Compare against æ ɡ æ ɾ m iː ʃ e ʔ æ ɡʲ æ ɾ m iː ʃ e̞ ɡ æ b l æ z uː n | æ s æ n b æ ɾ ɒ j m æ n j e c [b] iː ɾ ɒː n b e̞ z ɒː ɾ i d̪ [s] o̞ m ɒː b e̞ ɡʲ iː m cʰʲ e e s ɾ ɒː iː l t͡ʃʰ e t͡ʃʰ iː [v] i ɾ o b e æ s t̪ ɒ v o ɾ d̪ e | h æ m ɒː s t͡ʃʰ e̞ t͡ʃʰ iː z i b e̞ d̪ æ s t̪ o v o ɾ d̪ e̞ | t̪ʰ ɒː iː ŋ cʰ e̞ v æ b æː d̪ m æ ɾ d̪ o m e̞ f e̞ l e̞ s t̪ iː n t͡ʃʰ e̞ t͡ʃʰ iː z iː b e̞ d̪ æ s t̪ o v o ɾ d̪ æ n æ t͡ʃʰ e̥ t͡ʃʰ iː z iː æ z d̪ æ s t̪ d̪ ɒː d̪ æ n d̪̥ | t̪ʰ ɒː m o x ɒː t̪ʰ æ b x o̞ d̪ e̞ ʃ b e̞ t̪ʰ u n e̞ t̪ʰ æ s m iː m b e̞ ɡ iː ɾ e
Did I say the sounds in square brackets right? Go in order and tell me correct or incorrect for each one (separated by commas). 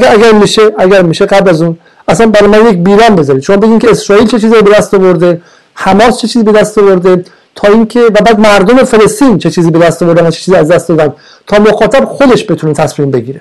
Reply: correct, incorrect, incorrect